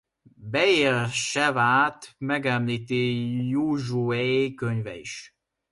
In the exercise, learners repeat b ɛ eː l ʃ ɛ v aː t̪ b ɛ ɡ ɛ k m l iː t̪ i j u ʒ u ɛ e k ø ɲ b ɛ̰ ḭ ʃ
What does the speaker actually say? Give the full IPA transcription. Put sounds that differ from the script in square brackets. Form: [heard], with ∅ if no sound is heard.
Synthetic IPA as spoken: b ɛ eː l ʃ ɛ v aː t̪ [m] ɛ ɡ ɛ [∅] m l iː t̪ i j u ʒ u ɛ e k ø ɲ [v] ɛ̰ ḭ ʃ